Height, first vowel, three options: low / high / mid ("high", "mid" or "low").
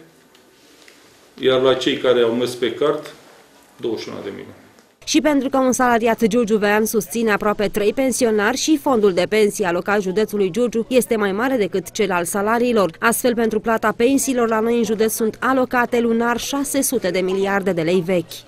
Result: low